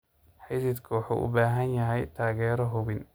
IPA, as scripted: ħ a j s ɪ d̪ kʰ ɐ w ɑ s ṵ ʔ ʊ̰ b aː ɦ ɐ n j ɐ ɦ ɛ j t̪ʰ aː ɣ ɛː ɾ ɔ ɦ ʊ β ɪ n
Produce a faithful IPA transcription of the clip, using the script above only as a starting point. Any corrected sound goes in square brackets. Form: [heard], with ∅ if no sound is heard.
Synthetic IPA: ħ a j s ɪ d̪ kʰ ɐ w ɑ [ħ] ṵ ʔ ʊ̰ b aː ɦ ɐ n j ɐ ɦ ɛ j t̪ʰ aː ɣ ɛː ɾ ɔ ɦ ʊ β ɪ n

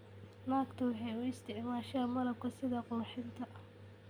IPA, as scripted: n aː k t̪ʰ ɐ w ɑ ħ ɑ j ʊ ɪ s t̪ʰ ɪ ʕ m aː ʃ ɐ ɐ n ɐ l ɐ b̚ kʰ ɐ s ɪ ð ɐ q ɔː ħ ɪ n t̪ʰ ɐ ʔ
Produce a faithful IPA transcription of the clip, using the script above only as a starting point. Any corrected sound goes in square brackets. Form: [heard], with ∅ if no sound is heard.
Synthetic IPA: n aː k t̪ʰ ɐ w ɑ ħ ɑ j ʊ ɪ s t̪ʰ ɪ ʕ m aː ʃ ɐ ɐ [m] ɐ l ɐ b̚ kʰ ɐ s ɪ ð ɐ q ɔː ħ ɪ n t̪ʰ ɐ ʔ

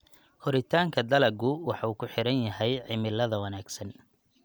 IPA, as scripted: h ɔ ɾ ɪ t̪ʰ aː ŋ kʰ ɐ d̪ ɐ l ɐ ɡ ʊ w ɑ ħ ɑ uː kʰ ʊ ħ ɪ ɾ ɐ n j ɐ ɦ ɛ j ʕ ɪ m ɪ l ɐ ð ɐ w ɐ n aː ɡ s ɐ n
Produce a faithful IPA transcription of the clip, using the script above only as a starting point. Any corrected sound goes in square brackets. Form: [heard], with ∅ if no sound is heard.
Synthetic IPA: h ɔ ɾ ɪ t̪ʰ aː ŋ kʰ ɐ d̪ ɐ l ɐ ɡ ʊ w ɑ ħ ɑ uː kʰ ʊ ħ ɪ ɾ ɐ n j ɐ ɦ ɛ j ʕ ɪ m ɪ l ɐ ð ɐ w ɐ n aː ɡ s ɐ n

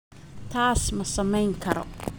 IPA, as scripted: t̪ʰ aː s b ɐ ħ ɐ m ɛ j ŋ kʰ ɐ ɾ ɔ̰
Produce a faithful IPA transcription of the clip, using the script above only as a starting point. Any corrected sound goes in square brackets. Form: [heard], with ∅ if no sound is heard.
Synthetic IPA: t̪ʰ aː s [m] ɐ [s] ɐ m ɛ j ŋ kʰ ɐ ɾ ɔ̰

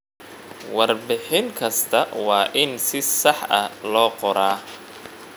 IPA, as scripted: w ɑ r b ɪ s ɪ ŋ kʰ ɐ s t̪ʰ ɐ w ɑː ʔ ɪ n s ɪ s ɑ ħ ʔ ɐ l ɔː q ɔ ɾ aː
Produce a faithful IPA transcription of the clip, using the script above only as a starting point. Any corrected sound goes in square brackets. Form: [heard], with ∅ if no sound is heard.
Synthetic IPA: w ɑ r b ɪ [ħ] ɪ ŋ kʰ ɐ s t̪ʰ ɐ w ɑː ʔ ɪ n s ɪ s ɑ ħ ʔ ɐ l ɔː q ɔ ɾ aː

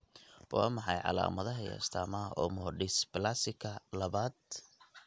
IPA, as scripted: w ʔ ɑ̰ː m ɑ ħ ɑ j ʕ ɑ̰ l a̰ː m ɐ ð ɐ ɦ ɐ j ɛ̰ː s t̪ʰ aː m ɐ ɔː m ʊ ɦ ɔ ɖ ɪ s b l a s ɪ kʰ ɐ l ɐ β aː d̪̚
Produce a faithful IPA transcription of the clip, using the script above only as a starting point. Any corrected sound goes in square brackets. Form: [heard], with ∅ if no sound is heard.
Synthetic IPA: w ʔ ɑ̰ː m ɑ ħ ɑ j ʕ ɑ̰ l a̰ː m ɐ ð ɐ ɦ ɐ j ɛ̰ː s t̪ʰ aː m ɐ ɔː m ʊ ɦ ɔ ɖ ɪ s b l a s ɪ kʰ ɐ l ɐ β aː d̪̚

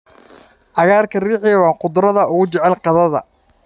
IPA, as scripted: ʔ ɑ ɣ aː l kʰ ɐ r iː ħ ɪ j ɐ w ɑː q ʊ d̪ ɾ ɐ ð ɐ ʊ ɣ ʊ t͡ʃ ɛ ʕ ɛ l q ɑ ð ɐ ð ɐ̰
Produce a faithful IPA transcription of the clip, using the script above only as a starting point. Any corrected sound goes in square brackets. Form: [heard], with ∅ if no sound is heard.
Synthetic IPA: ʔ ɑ ɣ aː [r] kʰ ɐ r iː ħ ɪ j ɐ w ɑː q ʊ d̪ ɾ ɐ ð ɐ ʊ ɣ ʊ t͡ʃ ɛ ʕ ɛ l q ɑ ð ɐ ð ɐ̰

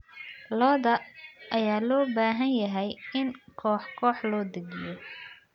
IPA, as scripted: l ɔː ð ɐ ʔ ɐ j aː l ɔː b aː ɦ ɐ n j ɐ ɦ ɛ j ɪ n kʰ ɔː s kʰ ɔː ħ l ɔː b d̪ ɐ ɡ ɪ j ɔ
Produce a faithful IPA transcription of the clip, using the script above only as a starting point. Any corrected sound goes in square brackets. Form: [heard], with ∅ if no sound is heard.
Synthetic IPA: l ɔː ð ɐ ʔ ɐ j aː l ɔː b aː ɦ ɐ n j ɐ ɦ ɛ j ɪ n kʰ ɔː [ħ] kʰ ɔː ħ l ɔː [∅] d̪ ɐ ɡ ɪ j ɔ

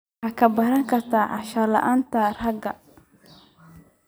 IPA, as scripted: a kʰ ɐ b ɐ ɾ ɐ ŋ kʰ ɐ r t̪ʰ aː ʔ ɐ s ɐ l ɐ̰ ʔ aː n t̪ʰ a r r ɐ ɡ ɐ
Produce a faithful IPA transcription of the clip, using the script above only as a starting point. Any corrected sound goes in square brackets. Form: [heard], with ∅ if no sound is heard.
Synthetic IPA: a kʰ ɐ b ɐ ɾ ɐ ŋ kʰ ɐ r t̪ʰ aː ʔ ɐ [ʃ] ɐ l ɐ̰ ʔ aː n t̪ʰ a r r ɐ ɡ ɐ

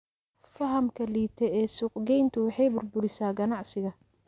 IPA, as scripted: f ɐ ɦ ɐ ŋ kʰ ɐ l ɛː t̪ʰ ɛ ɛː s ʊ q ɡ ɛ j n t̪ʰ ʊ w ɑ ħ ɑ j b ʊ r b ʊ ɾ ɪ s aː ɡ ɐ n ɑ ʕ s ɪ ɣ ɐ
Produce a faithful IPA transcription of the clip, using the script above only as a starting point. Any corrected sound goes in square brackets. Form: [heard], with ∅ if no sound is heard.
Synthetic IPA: f ɐ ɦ ɐ [m] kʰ ɐ l [iː] t̪ʰ ɛ ɛː s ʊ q ɡ ɛ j n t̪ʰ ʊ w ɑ ħ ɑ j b ʊ r b ʊ ɾ ɪ s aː ɡ ɐ n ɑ ʕ s ɪ ɣ ɐ

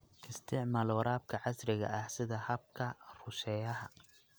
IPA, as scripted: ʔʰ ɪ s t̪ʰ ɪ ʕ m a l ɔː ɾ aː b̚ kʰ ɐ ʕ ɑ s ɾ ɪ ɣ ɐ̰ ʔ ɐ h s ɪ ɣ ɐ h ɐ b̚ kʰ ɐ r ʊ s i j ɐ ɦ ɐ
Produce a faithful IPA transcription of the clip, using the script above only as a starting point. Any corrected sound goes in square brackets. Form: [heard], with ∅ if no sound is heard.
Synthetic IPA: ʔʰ ɪ s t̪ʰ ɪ ʕ m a l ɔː ɾ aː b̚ kʰ ɐ ʕ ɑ s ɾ ɪ ɣ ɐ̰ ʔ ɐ h s ɪ [ð] ɐ h ɐ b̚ kʰ ɐ r ʊ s [ɛ] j ɐ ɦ ɐ

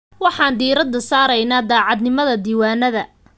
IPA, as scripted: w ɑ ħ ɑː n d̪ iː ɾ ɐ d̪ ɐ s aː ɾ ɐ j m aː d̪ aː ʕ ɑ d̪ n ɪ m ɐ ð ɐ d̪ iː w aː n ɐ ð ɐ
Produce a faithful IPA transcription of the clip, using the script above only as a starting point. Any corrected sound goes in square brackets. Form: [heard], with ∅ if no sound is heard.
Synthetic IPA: w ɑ ħ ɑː n d̪ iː ɾ ɐ d̪ ɐ s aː ɾ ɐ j [n] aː d̪ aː ʕ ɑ d̪ n ɪ m ɐ ð ɐ d̪ iː w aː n ɐ ð ɐ

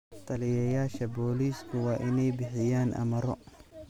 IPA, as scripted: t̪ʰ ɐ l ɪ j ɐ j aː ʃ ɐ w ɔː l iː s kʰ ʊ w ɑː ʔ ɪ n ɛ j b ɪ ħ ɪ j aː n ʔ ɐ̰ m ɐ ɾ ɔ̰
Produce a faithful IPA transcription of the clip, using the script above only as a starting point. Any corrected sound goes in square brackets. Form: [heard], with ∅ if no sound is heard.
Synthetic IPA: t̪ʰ ɐ l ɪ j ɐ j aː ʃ ɐ [b] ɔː l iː s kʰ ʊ w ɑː ʔ ɪ n ɛ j b ɪ ħ ɪ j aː n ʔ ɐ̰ m ɐ ɾ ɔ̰

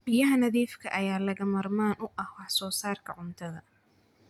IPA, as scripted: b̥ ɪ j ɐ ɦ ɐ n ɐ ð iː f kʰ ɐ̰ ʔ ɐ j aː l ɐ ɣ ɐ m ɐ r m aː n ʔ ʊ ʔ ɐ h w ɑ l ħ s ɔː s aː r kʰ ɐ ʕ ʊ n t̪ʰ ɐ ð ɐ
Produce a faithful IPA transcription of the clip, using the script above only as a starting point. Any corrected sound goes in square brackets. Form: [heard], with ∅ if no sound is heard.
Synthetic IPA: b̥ ɪ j ɐ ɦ ɐ n ɐ ð iː f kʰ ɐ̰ ʔ ɐ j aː l ɐ ɣ ɐ m ɐ r m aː n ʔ ʊ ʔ ɐ h w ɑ [∅] ħ s ɔː s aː r kʰ ɐ ʕ ʊ n t̪ʰ ɐ ð ɐ

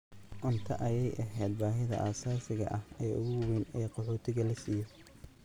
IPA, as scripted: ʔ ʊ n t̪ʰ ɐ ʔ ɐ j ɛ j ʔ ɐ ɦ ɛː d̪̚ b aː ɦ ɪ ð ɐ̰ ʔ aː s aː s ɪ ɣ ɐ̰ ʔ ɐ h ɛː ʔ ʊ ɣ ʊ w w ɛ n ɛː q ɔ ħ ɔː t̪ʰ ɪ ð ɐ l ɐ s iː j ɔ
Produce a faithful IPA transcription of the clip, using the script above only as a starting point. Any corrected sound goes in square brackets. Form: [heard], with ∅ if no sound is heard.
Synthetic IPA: ʔ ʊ n t̪ʰ ɐ ʔ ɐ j ɛ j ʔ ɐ ɦ ɛː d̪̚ b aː ɦ ɪ ð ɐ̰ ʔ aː s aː s ɪ ɣ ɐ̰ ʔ ɐ h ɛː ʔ ʊ ɣ ʊ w w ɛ n ɛː q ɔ ħ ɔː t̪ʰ ɪ [ɣ] ɐ l ɐ s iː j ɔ

